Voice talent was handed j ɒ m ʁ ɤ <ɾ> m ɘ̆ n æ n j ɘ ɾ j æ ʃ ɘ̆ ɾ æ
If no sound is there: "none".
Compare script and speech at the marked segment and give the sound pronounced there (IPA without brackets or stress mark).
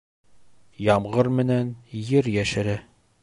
ɾ